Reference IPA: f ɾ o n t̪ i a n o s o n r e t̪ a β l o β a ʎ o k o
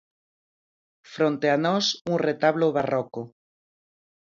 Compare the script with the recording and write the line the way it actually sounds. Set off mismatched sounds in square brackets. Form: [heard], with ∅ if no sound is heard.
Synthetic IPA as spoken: f ɾ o n t̪ [e] a n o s [u] n r e t̪ a β l o β a [r] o k o